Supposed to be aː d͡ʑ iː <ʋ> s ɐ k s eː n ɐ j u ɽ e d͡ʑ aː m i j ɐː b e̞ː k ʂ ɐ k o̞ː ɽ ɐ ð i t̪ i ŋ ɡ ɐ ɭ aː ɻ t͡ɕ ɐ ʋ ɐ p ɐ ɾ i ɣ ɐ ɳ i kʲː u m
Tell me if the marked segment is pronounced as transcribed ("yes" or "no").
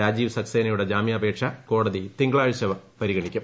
yes